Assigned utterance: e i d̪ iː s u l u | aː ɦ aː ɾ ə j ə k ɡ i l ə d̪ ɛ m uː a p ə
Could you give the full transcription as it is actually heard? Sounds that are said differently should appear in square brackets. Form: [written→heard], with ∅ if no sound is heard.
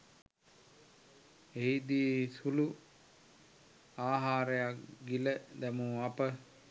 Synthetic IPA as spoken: e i d̪ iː s u l u | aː ɦ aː ɾ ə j [ə→a] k ɡ i l ə d̪ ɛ m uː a p ə